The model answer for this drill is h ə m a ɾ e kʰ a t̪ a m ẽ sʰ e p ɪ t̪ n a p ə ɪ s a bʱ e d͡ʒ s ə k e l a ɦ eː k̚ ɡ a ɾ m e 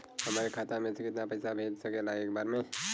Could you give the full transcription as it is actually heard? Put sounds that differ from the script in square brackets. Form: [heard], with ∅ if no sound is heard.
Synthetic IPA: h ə m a ɾ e kʰ a t̪ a m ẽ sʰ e [k] ɪ t̪ n a p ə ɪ s a bʱ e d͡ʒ s ə k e l a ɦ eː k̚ [b] a ɾ m e